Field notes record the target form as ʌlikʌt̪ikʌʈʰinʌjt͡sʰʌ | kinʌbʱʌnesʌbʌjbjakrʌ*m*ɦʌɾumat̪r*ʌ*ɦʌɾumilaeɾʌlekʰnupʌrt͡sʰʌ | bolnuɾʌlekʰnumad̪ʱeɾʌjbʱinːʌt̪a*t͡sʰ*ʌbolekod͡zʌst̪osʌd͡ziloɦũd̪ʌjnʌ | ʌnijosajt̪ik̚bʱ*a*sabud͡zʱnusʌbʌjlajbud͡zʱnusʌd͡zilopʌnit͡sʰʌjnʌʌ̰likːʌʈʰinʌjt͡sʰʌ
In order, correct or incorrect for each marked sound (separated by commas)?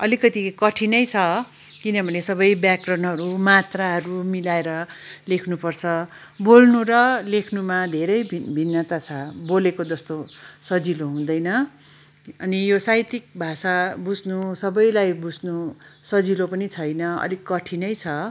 incorrect, incorrect, correct, correct